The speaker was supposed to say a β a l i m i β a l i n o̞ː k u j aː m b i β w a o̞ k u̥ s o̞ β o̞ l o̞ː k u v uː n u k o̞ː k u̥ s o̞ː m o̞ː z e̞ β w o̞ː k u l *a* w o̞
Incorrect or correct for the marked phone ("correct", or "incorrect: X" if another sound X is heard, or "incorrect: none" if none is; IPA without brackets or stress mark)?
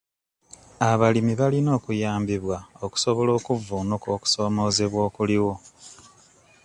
incorrect: i